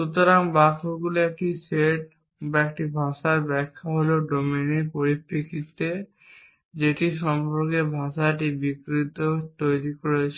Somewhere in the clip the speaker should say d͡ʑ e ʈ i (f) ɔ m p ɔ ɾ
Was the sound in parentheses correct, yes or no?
no